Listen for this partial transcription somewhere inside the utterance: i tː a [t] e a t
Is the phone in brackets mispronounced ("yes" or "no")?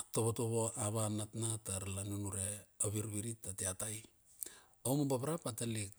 no